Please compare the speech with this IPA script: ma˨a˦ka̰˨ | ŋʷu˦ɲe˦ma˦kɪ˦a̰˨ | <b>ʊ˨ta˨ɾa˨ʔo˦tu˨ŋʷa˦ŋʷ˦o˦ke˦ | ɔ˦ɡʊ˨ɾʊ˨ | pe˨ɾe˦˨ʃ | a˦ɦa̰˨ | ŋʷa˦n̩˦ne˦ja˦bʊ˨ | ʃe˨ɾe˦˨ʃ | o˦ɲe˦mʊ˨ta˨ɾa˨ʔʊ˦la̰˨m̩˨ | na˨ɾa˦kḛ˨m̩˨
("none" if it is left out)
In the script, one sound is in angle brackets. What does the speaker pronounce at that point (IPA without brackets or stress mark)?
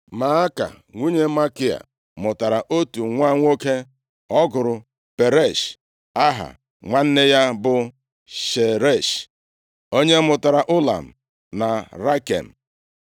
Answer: m